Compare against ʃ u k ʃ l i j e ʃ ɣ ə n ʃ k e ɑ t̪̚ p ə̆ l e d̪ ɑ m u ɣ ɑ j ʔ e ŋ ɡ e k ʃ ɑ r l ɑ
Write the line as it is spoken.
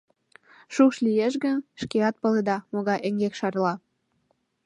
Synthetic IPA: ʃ u k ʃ l i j e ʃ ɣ ə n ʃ k e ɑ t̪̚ p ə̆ l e d̪ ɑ m o ɣ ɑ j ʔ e ŋ ɡ e k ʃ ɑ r l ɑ